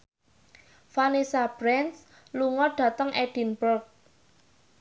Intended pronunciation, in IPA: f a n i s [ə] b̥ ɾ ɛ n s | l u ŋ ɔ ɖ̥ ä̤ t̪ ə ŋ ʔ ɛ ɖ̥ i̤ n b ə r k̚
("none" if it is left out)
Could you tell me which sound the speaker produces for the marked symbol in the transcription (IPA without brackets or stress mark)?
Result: a